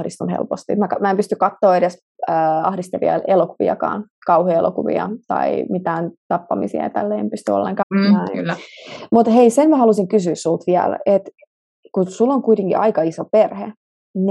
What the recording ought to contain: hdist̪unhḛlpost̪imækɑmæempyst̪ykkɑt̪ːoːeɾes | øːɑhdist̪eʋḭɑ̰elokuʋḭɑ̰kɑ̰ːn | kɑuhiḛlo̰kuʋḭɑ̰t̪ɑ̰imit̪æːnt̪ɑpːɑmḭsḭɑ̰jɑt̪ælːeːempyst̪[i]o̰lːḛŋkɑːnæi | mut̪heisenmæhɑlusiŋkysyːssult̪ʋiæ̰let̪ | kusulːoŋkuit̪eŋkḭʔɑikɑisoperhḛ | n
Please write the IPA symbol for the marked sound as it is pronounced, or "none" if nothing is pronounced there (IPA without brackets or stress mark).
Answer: y